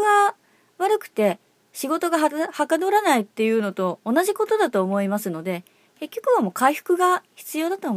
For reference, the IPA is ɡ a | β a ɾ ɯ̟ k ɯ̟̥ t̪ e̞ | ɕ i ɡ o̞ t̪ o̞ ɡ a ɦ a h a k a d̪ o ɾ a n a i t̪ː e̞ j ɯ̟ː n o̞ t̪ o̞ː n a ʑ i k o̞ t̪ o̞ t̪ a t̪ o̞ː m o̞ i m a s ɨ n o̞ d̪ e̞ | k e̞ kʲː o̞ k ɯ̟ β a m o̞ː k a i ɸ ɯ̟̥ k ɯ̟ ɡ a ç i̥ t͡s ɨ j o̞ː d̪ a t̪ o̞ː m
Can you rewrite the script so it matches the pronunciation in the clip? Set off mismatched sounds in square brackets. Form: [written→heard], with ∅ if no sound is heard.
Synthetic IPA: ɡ a | β a ɾ ɯ̟ k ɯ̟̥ t̪ e̞ | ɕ i ɡ o̞ t̪ o̞ ɡ a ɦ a h a k a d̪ o ɾ a n a i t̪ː e̞ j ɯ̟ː n o̞ t̪ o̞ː n a ʑ i k o̞ t̪ o̞ [t̪→d̪] a t̪ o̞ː m o̞ i m a s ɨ n o̞ d̪ e̞ | k e̞ kʲː o̞ k ɯ̟ β a m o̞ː k a i ɸ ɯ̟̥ k ɯ̟ ɡ a ç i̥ t͡s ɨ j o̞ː d̪ a t̪ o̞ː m